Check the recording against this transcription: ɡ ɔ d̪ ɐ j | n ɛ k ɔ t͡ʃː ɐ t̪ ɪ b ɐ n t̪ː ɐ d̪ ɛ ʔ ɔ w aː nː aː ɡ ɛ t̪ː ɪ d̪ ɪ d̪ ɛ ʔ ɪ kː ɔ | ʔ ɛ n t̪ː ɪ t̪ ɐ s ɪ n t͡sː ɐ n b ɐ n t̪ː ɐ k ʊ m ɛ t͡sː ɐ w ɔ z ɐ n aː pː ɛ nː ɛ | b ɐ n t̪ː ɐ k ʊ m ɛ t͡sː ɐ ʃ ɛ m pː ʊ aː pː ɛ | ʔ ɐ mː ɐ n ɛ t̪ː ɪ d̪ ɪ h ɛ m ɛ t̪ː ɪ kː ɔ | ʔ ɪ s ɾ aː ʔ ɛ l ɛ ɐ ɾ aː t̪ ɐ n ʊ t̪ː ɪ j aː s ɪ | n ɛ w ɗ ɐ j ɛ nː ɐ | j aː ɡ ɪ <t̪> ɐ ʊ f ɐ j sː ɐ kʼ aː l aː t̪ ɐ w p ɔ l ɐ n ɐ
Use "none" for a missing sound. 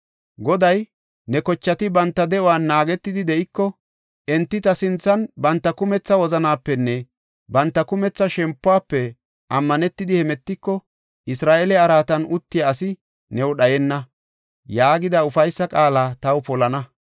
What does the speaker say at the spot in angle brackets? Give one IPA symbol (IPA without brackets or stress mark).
d̪